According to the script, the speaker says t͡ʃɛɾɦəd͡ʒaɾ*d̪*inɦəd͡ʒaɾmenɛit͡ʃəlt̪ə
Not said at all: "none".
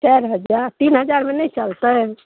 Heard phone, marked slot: t̪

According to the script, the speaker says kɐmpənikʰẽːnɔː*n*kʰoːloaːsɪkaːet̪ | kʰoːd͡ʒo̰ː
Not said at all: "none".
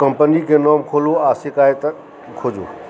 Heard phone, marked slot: m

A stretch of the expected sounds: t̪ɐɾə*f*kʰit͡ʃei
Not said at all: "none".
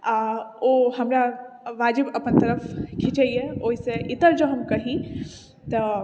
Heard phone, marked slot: f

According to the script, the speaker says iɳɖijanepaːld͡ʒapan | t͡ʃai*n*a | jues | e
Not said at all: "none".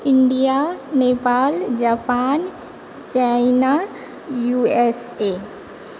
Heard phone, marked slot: n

